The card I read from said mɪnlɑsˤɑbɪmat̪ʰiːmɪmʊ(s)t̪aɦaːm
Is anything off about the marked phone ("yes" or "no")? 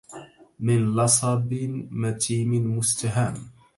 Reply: no